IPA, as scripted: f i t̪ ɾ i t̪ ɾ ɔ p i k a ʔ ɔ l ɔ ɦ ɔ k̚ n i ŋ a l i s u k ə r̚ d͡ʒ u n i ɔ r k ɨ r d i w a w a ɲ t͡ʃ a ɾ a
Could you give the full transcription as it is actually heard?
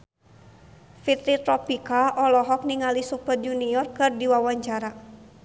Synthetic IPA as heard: f i t̪ ɾ i t̪ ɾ ɔ p i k a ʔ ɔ l ɔ ɦ ɔ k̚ n i ŋ a l i s u p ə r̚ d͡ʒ u n i ɔ r k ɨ r d i w a w a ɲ t͡ʃ a ɾ a